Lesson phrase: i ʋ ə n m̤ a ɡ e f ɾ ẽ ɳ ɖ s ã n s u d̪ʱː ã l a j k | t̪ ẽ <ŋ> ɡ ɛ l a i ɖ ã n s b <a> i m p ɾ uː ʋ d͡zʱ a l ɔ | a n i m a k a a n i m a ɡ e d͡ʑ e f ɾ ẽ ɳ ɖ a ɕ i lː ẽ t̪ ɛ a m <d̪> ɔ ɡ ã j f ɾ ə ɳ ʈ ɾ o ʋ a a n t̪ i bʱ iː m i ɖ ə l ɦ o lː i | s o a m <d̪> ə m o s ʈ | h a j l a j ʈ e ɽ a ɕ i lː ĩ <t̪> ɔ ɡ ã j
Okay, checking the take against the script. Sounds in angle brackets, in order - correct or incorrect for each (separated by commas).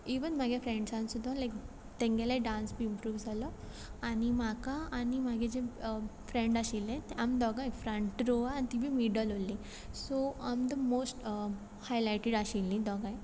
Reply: correct, incorrect, correct, correct, incorrect